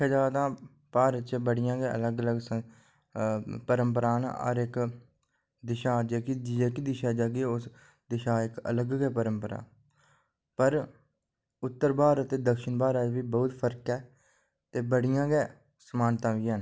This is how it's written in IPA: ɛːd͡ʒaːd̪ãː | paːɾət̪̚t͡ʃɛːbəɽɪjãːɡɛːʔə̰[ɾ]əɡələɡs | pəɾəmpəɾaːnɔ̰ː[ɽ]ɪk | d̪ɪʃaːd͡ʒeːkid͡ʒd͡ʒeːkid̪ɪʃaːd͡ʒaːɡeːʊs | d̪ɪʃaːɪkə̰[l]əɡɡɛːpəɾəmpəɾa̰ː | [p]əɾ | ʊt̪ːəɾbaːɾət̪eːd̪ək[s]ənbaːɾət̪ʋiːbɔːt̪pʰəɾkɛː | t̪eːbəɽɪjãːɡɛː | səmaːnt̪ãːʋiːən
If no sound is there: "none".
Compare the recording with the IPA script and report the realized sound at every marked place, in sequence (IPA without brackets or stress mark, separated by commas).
l, ɾ, l, p, ʃ